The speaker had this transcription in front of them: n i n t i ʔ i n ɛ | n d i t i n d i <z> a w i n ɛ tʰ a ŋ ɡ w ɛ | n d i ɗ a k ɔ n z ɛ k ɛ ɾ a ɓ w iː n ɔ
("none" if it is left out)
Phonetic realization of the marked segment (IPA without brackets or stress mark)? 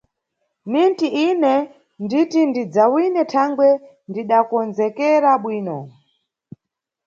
d͡z